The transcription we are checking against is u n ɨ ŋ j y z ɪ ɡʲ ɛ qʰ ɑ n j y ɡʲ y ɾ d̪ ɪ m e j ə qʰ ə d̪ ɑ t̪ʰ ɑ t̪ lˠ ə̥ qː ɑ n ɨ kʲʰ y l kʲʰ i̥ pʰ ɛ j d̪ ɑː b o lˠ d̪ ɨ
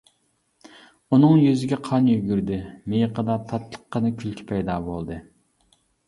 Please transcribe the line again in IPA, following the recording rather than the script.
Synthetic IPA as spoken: u n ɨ ŋ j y z ɪ ɡʲ ɛ qʰ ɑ n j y ɡʲ y ɾ d̪ ɪ m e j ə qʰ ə d̪ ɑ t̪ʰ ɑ t̪ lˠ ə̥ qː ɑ n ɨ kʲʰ y l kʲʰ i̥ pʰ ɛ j d̪ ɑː b o lˠ d̪ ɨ